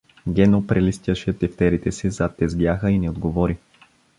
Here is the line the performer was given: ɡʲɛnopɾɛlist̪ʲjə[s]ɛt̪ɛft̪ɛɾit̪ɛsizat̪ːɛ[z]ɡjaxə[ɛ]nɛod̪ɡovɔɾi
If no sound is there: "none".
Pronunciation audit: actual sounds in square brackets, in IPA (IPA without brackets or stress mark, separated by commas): ʃ, z, i